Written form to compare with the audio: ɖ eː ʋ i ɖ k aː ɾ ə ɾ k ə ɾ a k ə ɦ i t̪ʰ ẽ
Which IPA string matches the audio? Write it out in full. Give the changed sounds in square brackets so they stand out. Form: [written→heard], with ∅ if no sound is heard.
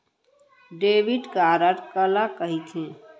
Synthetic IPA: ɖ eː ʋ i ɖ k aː ɾ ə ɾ k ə [ɾ→l] a k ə ɦ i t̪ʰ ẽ